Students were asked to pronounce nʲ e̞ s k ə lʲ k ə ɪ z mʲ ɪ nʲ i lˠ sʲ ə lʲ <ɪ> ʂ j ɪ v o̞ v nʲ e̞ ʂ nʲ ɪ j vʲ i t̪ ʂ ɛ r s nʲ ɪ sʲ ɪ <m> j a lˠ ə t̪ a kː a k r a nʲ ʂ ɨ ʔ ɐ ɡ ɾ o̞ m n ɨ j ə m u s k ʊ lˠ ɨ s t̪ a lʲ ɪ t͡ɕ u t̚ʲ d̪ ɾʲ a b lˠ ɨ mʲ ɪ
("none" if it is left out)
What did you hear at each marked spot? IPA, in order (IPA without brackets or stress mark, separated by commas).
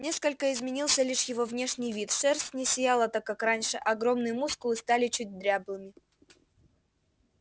i, none